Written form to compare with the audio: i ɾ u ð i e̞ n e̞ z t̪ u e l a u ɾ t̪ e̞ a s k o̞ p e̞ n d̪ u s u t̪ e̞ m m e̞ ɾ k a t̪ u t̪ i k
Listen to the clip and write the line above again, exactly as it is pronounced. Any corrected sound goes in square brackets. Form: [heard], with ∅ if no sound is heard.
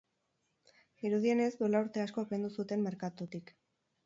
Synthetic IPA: i ɾ u ð i e̞ n e̞ z [d̪] u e l a u ɾ t̪ e̞ a s k o̞ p e̞ n d̪ u s u t̪ e̞ m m e̞ ɾ k a t̪ u t̪ i k